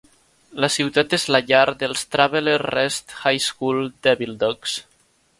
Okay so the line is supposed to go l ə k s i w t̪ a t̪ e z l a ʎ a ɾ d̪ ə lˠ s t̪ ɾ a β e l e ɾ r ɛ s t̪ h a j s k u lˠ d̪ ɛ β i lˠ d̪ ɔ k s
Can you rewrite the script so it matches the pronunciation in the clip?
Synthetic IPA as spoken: l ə s i w t̪ a t̪ e z l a ʎ a ɾ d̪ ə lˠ s t̪ ɾ a β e l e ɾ r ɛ s t̪ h a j s k u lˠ d̪ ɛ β i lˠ d̪ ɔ k s

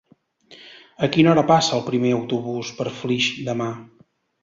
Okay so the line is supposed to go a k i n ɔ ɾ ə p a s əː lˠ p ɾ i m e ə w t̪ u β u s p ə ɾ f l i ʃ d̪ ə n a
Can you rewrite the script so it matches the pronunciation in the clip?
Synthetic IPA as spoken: ə k i n ɔ ɾ ə p a s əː lˠ p ɾ i m e ə w t̪ u β u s p ə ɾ f l i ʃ d̪ ə m a

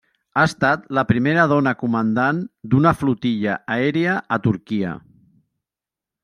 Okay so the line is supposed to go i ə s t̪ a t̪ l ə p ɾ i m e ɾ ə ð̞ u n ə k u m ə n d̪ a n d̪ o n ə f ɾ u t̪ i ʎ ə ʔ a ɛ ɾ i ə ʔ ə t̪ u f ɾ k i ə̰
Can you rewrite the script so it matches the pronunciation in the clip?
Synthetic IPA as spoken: a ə s t̪ a t̪ l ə p ɾ i m e ɾ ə ð̞ ɔ n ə k u m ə n d̪ a n d̪ u n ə f l u t̪ i ʎ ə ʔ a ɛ ɾ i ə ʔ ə t̪ u ɾ k i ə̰

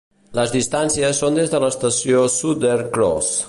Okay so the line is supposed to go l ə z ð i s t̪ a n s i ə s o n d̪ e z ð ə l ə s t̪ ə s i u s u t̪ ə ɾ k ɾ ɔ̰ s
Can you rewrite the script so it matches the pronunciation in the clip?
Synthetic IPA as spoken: l ə z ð i s t̪ a n s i ə sː o n d̪ e z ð ə l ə s t̪ ə s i o s u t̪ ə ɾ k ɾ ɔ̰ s

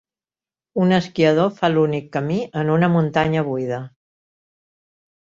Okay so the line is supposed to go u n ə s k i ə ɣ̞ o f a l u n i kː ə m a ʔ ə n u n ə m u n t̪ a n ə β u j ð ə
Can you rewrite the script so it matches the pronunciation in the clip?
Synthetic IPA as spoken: u n ə s k i ə ð̞ o f a l u n i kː ə m i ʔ ə n u n ə m u n t̪ a ɲ ə β u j ð ə

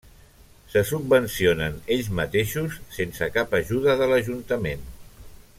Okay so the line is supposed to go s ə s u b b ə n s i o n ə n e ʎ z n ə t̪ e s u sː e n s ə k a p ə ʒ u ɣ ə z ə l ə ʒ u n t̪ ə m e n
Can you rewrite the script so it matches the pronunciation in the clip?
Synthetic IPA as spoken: s ə s u b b ə n s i o n ə n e ʎ z m ə t̪ e ʃ u sː e n s ə k a p ə ʒ u ð ə ð ə l ə ʒ u n t̪ ə m e n

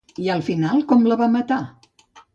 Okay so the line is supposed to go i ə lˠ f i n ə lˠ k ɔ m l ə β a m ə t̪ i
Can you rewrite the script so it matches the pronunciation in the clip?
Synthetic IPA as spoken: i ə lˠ f i n a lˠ k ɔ m l ə β a m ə t̪ a

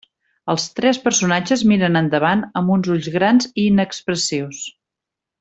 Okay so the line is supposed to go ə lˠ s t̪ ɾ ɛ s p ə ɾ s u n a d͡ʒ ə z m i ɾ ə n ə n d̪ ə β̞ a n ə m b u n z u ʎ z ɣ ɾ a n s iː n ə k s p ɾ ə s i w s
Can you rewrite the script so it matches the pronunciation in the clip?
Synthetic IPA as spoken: ə lˠ s t̪ ɾ ɛ s p ə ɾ s u n a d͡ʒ ə z m i ɾ ə n ə n d̪ ə β̞ a n ə m b u n z u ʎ z ɣ ɾ a n z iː n ə k s p ɾ ə s i w s

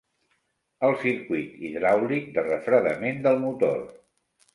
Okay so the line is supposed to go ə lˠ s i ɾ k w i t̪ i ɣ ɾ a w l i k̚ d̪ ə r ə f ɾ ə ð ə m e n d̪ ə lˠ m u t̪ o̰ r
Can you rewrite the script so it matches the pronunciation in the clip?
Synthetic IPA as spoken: ə lˠ s i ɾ k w i t̪ i ð ɾ a w l i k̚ d̪ ə r ə f ɾ ə ð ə m e n d̪ ə lˠ m u t̪ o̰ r

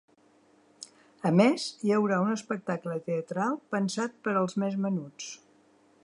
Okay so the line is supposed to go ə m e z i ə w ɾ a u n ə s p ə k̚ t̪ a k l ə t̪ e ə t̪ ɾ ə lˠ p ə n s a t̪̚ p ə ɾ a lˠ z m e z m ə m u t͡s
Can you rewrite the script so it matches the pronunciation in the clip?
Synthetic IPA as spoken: ə m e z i ə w ɾ a u n ə s p ə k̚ t̪ a k l ə t̪ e ə t̪ ɾ a lˠ p ə n s a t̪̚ p ə ɾ ə lˠ z m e z m ə n u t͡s

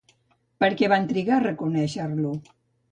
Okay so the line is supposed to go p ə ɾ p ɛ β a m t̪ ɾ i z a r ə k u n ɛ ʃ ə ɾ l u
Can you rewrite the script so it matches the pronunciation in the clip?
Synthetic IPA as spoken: p ə ɾ k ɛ β a n t̪ ɾ i ɣ a r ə k u n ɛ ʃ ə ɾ l u

